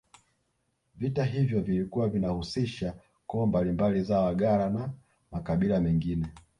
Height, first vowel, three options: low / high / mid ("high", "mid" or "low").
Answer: high